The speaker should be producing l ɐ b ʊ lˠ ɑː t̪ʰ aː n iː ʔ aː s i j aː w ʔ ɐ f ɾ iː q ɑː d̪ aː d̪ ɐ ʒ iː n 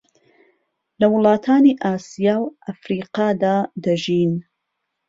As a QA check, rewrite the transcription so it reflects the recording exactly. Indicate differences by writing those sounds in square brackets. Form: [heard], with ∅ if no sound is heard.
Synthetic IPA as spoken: l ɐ [w] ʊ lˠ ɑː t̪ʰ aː n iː ʔ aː s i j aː w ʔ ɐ f ɾ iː q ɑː d̪ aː d̪ ɐ ʒ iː n